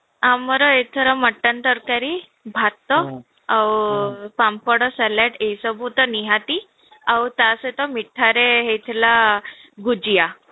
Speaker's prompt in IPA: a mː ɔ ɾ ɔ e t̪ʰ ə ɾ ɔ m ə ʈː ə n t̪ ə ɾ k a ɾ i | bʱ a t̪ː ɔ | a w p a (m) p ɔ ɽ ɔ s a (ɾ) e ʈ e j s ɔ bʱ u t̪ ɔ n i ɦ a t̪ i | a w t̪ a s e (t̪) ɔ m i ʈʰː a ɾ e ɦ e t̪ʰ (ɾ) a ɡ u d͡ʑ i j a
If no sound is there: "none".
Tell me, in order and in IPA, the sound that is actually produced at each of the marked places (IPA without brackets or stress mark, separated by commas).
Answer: m, l, t̪, l